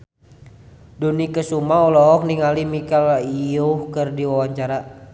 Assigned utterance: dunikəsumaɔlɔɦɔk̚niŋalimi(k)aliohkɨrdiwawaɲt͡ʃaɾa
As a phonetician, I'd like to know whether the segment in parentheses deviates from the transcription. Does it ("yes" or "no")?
no